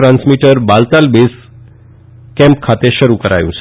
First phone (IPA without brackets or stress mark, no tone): ɾ